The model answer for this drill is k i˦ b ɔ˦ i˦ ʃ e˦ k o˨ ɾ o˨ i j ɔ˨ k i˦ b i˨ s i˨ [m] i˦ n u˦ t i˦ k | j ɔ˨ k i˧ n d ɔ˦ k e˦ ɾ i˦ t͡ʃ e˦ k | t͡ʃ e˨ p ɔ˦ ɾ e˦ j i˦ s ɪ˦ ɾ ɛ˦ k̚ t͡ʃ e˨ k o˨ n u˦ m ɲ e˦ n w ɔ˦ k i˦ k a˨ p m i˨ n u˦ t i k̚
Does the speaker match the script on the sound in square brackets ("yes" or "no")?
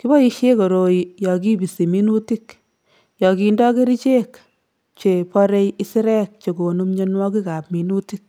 yes